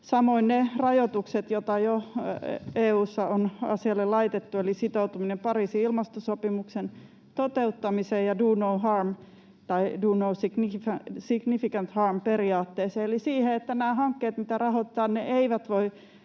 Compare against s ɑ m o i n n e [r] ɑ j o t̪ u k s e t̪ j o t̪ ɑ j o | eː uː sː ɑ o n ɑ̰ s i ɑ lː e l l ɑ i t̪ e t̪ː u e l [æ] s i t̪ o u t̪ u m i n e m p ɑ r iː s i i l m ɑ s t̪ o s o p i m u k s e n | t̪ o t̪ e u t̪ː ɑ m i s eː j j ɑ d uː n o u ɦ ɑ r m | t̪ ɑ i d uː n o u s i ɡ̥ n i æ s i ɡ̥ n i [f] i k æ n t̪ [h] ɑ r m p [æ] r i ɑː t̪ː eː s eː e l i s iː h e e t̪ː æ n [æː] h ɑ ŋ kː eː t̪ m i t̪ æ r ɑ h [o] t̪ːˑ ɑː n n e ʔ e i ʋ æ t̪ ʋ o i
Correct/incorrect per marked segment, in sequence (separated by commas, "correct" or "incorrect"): correct, incorrect, correct, correct, incorrect, correct, correct